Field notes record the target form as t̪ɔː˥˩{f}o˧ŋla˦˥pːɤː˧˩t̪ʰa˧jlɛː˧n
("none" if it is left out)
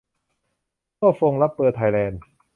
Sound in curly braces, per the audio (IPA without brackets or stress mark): f